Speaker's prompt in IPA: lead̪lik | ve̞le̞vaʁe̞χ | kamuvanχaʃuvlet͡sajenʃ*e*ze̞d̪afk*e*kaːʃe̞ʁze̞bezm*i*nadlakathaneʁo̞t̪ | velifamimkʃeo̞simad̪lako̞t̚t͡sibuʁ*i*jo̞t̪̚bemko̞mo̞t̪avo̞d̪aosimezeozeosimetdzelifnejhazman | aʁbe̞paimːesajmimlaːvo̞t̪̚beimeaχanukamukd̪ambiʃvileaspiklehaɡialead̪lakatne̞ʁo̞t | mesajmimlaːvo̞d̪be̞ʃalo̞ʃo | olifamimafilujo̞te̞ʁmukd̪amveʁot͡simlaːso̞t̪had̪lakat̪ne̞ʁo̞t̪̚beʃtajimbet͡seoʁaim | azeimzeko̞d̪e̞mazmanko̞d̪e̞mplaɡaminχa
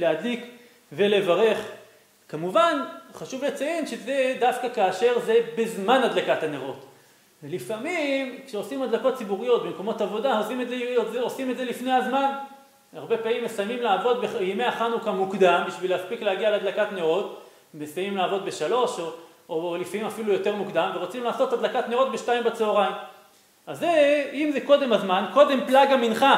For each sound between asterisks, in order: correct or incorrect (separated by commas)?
correct, incorrect, incorrect, correct